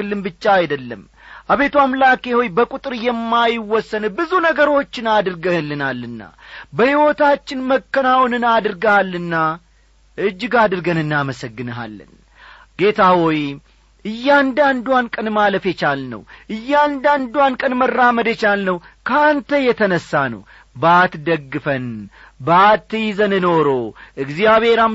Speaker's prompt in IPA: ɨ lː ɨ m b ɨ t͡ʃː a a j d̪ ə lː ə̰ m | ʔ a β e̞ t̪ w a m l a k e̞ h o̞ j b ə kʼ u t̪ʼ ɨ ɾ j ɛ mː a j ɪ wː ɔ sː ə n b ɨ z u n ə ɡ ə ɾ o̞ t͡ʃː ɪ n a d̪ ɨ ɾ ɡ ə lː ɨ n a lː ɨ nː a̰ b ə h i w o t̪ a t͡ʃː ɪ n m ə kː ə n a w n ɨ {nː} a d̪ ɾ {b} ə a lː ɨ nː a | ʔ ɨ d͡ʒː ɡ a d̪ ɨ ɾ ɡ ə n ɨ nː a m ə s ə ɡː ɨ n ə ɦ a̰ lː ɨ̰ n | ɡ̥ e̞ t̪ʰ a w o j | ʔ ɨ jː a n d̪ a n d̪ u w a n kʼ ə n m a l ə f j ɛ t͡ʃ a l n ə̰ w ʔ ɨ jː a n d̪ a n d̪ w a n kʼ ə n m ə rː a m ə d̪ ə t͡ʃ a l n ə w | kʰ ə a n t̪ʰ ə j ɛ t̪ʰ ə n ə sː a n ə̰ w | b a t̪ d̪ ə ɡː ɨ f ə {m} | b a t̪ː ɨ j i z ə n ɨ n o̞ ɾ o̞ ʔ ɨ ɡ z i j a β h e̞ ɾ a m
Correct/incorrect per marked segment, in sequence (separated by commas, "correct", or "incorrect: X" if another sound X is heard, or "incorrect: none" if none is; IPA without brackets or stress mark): incorrect: n, incorrect: ɡ, incorrect: n